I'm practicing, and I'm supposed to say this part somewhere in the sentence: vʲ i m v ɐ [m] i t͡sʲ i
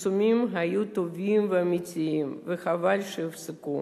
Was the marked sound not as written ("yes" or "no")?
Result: no